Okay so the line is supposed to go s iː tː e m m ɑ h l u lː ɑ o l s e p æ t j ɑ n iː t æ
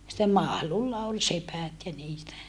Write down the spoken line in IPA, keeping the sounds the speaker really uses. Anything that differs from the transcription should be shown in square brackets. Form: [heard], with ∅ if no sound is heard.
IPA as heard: s [i] tː e m m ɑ h l u lː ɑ o l s e p æ t j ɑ n iː t æ